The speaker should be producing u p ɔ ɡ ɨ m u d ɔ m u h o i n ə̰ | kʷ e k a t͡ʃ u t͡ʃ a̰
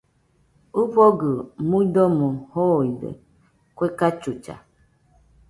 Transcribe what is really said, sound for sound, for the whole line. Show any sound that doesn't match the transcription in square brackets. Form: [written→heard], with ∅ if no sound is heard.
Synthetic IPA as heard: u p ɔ ɡ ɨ m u d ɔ m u h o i [n→d] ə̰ | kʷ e k a t͡ʃ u t͡ʃ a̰